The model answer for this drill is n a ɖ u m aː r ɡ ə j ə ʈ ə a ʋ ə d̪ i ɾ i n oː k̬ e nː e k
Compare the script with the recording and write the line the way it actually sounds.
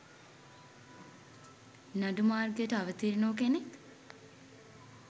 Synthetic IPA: n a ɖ u m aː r ɡ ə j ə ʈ ə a ʋ ə t̪ i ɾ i n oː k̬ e n e k